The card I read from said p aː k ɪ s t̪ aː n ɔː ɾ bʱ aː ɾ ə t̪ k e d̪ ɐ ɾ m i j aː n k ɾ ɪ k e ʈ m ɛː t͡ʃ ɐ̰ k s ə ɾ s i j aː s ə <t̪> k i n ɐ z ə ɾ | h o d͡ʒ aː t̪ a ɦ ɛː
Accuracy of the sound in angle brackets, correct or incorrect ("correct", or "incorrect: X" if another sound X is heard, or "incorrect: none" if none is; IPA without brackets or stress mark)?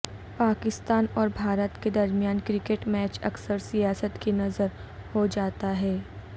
correct